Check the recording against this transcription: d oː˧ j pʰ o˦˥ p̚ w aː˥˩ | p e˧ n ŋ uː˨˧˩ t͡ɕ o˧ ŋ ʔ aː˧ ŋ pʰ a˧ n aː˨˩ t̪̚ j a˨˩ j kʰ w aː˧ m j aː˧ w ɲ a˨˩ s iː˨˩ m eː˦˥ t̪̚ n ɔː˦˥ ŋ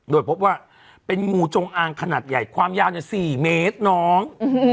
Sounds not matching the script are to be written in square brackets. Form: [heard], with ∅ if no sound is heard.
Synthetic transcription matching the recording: d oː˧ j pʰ o˦˥ p̚ w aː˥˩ | p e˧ n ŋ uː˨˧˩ t͡ɕ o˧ ŋ ʔ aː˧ ŋ [kʰ] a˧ n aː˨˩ t̪̚ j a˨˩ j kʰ w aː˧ m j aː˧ w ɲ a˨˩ s iː˨˩ m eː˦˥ t̪̚ n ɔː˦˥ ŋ